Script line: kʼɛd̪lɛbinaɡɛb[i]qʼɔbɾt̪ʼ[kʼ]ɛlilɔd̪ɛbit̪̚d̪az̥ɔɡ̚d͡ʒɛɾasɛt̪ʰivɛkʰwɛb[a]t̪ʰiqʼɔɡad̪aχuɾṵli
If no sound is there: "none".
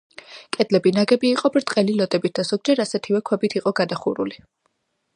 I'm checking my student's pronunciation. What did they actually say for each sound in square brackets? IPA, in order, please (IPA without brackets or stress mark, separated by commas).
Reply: iː, qʼ, i